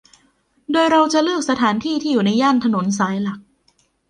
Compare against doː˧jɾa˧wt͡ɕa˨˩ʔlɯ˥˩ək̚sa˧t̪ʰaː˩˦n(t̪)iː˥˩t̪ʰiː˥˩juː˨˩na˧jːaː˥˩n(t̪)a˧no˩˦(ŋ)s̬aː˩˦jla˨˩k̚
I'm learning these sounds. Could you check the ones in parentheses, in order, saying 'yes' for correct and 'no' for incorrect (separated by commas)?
no, no, no